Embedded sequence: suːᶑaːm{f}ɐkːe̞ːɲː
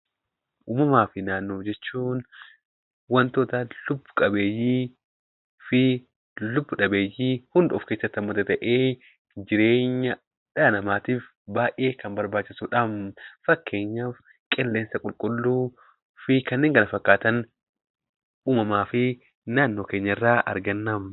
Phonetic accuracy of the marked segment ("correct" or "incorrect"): correct